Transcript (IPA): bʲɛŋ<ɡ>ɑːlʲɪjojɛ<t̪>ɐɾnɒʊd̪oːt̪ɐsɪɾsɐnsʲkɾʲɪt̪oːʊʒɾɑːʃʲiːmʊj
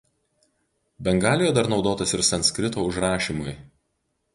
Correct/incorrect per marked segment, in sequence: correct, incorrect

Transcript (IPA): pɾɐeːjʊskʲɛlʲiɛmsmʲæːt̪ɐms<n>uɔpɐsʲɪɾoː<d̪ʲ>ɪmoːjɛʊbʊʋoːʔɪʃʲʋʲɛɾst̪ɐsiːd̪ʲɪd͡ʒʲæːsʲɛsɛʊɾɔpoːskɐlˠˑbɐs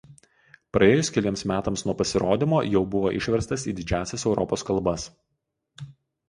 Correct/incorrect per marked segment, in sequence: correct, correct

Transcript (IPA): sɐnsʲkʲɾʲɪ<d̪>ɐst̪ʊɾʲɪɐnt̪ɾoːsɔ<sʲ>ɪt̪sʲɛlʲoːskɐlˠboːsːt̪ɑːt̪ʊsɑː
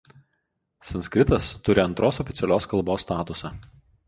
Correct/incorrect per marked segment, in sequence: incorrect, incorrect

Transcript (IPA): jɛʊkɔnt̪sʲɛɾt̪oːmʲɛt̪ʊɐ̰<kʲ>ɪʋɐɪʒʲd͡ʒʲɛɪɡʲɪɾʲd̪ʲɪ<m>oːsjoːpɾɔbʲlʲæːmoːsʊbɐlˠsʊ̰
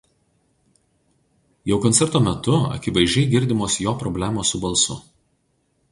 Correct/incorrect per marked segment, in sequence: correct, correct

